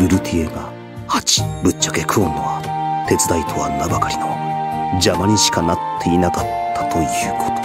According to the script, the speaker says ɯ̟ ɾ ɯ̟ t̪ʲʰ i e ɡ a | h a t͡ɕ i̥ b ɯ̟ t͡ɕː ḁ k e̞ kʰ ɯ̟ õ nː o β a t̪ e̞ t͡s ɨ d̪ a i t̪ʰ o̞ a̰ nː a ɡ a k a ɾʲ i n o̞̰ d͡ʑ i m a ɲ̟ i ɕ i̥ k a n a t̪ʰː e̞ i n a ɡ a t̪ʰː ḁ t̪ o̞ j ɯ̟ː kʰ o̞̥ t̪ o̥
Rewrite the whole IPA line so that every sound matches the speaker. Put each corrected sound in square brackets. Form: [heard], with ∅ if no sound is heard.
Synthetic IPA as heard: ɯ̟ ɾ ɯ̟ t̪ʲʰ i e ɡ a | h a t͡ɕ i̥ b ɯ̟ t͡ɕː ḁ k e̞ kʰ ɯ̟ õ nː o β a t̪ e̞ t͡s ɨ d̪ a i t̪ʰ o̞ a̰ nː a [b] a k a ɾʲ i n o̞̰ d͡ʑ [a] m a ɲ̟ i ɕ i̥ k a n a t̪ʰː e̞ i n a [k] a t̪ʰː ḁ t̪ o̞ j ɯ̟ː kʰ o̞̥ t̪ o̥